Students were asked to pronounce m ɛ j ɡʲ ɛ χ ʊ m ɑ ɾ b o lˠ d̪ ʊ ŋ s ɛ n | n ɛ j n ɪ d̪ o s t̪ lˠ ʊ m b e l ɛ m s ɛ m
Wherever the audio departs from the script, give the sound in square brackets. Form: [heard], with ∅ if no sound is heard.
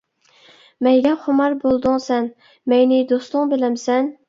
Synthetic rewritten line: m ɛ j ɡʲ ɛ χ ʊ m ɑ ɾ b o lˠ d̪ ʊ ŋ s ɛ n | [m] ɛ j n ɪ d̪ o s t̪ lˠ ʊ [ŋ] b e l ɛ m s ɛ [n]